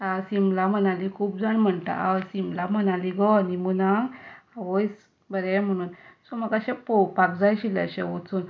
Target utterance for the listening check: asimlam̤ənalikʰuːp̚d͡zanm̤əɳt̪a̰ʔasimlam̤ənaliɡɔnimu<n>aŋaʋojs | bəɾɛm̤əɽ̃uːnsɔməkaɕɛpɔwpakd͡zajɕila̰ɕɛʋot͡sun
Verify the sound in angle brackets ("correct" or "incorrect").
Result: correct